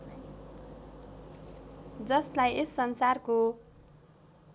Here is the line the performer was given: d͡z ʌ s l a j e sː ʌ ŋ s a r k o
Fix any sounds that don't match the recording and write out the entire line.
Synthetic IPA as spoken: d͡z ʌ s l a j e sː ʌ n s a r k o

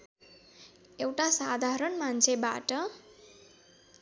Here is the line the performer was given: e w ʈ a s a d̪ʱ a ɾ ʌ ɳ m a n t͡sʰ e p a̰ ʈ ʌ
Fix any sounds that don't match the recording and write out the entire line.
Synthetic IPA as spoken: e w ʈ a s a d̪ʱ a ɾ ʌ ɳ m a n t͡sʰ e b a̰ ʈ ʌ

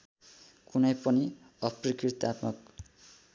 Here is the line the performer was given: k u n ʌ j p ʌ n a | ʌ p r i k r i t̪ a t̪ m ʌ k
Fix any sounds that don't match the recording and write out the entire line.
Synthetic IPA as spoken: k u n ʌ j p ʌ n i | ʌ p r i k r i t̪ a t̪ m ʌ k

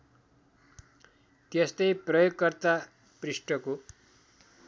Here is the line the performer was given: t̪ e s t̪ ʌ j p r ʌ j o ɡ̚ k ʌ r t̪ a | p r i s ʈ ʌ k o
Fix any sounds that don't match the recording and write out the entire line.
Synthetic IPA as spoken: t̪ e s t̪ ʌ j p r ʌ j o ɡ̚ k ʌ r t̪ a | p r i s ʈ ʌ k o

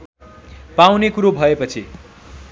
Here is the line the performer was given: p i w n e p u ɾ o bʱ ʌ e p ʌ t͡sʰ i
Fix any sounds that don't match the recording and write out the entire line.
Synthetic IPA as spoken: p a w n e k u ɾ o bʱ ʌ e p ʌ t͡sʰ i

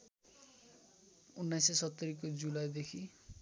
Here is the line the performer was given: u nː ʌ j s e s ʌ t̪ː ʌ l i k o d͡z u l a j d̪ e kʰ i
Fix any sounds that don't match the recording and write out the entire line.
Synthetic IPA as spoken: u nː a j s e s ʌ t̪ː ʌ ɾ i k o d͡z u l a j d̪ e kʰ i

